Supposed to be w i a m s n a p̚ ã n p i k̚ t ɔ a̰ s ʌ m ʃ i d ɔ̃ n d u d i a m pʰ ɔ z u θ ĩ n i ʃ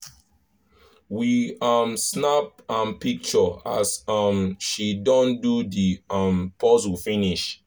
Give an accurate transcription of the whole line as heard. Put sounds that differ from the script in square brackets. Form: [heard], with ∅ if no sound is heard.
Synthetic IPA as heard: w i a m s n a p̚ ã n p i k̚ [t͡ʃ] ɔ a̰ s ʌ m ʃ i d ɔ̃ n d u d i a m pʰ ɔ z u [f] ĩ n i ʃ